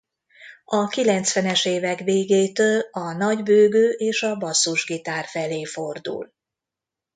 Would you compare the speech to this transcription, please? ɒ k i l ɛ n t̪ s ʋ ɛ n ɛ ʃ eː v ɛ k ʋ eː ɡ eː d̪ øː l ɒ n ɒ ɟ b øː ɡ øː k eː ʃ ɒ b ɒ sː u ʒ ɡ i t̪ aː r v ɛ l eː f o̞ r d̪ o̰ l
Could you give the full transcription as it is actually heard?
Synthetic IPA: ɒ k i l ɛ n t̪ s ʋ ɛ n ɛ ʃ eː v ɛ k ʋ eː ɡ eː t̪ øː l ɒ n ɒ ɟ b øː ɡ øː ʔ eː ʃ ɒ b ɒ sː u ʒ ɡ i t̪ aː r f ɛ l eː f o̞ r d̪ ṵ l